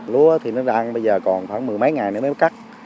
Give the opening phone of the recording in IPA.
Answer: l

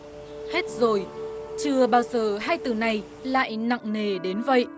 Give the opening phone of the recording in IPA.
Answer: h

